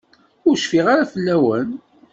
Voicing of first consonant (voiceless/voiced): voiced